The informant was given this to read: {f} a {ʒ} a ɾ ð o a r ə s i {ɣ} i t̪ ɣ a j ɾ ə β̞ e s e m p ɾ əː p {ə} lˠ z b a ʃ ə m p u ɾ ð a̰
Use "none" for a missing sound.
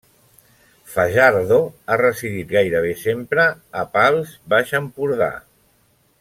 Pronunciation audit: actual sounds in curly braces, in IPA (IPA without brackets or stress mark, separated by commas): f, ʒ, ð, a